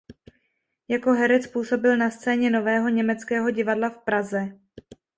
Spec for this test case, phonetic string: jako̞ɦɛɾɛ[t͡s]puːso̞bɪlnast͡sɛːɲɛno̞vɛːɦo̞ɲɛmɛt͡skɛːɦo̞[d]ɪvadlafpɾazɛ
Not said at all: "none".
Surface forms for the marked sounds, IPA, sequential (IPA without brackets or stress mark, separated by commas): t͡s, ɟ